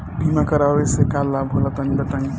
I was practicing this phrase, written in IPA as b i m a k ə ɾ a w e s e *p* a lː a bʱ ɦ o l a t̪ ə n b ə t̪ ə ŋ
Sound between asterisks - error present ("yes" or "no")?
yes